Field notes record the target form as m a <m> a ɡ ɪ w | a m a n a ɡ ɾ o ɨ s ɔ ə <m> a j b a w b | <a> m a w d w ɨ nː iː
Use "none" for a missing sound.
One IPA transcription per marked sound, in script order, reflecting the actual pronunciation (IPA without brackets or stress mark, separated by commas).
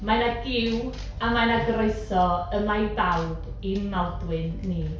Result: n, m, i